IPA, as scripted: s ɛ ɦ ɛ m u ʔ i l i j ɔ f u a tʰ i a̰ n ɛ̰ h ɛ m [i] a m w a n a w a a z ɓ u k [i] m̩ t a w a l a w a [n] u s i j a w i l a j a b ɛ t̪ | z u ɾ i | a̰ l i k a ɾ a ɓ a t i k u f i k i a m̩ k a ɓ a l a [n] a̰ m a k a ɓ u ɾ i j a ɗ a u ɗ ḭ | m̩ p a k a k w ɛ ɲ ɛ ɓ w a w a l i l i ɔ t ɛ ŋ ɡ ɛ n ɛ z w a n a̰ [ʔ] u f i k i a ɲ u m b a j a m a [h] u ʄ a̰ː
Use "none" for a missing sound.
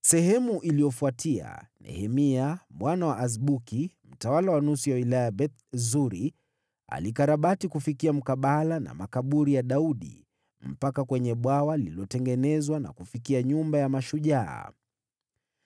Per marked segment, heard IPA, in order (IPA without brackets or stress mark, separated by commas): i, i, n, n, k, ʃ